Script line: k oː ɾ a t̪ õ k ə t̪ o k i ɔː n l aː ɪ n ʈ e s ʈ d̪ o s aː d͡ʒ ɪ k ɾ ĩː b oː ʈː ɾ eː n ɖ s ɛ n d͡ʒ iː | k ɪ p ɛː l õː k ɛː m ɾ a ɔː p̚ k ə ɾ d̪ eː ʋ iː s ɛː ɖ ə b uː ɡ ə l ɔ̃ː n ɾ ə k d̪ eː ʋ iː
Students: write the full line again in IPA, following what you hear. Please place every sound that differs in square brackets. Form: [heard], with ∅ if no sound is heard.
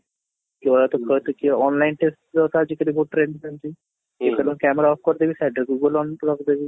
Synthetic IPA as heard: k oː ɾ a t̪ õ k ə t̪ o k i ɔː n l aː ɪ n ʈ e s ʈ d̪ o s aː d͡ʒ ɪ k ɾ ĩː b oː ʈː ɾ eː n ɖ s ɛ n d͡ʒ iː | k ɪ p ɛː l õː k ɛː m ɾ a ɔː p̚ k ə ɾ d̪ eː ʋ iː s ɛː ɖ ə [ɡ] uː ɡ ə l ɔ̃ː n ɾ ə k d̪ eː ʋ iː